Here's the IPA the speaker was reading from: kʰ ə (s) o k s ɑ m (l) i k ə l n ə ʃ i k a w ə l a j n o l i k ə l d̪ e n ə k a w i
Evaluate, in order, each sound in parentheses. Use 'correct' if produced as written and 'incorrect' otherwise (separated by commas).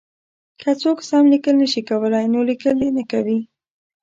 incorrect, correct